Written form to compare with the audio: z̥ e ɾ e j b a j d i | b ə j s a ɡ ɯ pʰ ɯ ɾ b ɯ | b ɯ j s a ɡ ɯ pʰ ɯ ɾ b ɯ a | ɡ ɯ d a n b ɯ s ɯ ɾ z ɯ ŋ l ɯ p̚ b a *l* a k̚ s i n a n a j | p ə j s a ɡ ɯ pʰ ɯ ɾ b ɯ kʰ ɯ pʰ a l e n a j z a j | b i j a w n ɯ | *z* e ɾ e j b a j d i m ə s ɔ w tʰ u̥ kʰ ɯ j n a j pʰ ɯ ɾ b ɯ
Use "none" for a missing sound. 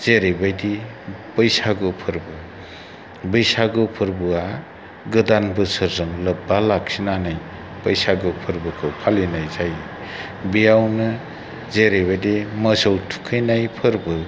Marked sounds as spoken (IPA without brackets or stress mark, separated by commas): l, z